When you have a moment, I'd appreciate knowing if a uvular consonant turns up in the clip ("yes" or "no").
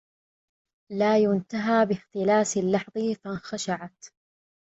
no